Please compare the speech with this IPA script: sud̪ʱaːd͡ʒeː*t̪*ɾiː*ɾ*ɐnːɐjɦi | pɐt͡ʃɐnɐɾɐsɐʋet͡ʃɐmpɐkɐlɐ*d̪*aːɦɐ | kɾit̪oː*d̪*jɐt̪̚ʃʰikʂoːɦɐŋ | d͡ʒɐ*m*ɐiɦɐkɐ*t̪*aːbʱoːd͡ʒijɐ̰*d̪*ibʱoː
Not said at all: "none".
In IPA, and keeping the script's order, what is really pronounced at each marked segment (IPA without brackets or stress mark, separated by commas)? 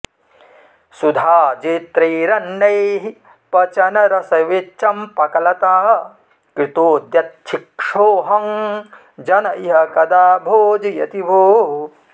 t̪, ɾ, t̪, d̪, n, d̪, t̪